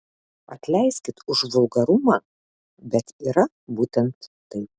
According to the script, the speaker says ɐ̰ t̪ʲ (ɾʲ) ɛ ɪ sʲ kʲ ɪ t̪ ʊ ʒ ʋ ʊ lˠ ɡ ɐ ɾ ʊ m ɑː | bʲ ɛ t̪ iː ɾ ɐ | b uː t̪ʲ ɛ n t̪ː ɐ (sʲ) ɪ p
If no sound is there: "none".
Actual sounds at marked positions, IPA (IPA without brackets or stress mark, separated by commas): lʲ, none